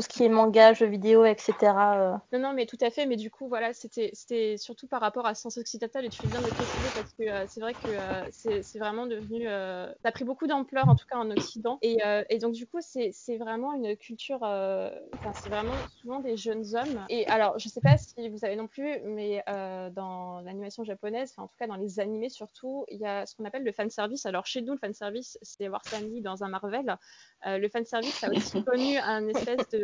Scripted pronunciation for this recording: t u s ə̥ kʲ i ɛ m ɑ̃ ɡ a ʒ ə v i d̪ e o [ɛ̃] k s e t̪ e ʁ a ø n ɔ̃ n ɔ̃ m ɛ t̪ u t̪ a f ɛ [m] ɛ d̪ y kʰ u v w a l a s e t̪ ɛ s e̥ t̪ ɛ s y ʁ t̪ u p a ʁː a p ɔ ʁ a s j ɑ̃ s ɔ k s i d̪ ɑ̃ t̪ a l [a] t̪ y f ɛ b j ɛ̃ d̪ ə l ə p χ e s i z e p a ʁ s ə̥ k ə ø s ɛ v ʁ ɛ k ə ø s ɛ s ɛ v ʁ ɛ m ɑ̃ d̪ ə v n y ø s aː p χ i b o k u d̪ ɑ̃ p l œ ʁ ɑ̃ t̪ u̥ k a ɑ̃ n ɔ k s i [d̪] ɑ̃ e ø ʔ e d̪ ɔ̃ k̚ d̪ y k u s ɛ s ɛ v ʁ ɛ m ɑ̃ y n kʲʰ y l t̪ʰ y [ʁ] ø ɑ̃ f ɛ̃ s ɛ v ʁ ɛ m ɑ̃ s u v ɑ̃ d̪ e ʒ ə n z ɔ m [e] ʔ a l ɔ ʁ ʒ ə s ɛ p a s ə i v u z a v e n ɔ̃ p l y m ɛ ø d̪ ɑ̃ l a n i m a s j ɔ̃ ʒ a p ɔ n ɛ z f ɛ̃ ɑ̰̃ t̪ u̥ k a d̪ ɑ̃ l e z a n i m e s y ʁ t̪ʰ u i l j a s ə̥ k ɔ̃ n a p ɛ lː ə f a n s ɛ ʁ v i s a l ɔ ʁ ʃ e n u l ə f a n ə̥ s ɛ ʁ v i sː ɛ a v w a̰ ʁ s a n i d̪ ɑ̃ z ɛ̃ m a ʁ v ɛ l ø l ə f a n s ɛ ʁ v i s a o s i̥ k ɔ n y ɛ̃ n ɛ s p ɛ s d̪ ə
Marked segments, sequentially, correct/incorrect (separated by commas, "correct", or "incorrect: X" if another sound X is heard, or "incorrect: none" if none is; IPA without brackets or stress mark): incorrect: ɛ, correct, incorrect: e, correct, correct, correct